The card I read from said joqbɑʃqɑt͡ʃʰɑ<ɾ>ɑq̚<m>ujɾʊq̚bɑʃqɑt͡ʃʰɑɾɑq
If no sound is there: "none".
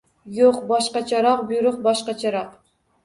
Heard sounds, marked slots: ɾ, b

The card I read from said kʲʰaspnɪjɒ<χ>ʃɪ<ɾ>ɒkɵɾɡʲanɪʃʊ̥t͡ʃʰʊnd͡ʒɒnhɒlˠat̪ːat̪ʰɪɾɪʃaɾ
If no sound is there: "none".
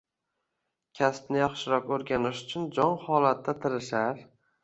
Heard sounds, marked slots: χ, ɾ

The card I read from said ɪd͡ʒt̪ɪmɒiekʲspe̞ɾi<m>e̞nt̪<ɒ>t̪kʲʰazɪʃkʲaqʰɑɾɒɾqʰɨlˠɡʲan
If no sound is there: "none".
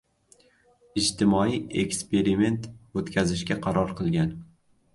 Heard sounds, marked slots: m, o

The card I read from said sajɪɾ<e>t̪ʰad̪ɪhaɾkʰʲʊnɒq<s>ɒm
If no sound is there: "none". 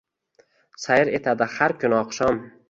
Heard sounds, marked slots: e, ʃ

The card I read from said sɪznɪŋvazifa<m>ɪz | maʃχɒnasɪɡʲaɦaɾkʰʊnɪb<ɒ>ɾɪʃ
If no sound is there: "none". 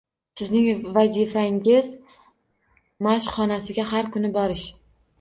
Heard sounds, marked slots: ŋ, ɒ

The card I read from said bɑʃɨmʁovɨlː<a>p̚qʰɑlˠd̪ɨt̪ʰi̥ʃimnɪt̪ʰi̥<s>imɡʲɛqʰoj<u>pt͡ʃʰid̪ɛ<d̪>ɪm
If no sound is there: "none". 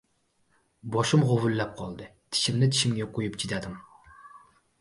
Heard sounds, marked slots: ɛ, ʃ, u, d̪

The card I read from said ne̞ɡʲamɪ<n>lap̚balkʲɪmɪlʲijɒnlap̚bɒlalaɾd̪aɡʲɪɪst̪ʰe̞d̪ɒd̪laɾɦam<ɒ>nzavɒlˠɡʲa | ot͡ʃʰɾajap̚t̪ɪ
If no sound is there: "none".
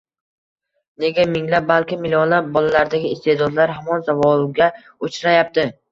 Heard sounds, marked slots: ŋ, ɒ

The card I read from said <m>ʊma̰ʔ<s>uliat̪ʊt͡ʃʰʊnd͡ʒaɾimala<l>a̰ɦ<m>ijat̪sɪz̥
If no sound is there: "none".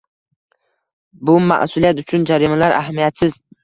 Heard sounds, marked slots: b, s, ɾ, m

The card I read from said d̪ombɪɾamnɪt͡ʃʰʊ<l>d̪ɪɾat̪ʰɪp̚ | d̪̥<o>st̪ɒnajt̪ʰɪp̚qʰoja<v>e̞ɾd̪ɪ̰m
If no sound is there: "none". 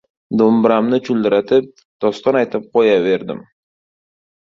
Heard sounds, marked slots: l, ɒ, v

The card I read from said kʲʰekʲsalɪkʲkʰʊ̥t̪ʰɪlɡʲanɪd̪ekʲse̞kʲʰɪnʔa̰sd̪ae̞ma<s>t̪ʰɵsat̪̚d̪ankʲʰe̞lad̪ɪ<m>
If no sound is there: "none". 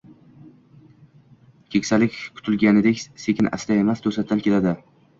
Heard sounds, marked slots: s, none

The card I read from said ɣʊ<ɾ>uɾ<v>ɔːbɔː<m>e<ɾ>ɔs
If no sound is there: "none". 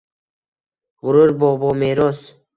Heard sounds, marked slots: ɾ, b, m, ɾ

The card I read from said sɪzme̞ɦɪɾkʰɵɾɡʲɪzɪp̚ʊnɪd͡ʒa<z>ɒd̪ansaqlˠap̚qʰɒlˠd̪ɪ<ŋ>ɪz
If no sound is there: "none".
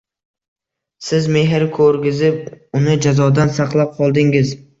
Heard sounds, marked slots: z, ŋ

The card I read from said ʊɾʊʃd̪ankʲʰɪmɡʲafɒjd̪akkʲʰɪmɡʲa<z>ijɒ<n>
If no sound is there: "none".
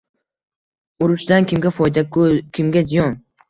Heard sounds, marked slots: z, n

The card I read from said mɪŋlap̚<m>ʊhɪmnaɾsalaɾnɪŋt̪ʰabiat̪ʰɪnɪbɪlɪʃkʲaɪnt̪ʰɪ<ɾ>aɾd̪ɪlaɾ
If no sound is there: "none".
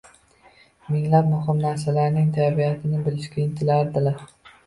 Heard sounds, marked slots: m, l

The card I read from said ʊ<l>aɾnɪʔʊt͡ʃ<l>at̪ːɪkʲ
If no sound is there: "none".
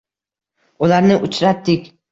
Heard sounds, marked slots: l, ɾ

